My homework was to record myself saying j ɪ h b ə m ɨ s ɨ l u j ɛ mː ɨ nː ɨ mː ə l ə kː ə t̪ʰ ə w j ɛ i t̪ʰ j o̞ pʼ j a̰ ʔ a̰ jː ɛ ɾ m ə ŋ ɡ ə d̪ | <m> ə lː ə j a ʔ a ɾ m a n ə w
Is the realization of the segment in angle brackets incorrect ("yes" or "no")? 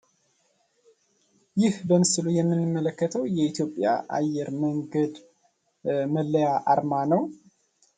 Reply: no